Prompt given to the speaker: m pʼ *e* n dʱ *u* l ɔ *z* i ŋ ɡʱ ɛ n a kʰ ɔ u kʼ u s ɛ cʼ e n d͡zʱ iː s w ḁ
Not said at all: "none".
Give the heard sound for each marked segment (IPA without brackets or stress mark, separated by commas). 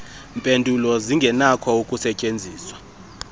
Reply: e, u, z